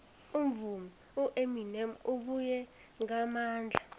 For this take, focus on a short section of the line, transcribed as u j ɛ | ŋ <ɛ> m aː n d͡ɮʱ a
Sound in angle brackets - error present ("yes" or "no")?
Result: yes